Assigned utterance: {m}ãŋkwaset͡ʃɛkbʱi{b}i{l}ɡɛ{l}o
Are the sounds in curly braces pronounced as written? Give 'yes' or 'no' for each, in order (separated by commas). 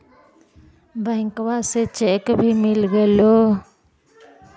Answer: no, no, yes, yes